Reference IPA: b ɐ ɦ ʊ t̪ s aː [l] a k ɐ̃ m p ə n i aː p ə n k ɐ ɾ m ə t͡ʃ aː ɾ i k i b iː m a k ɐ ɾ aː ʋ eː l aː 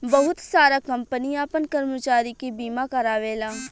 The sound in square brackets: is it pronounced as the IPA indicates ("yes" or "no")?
no